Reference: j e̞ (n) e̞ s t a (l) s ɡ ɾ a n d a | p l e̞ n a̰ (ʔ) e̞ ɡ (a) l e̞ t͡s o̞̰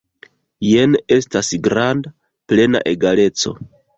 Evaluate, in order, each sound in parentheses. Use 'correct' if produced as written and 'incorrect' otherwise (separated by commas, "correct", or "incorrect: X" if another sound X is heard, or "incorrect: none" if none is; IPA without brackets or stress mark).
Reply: correct, incorrect: none, correct, correct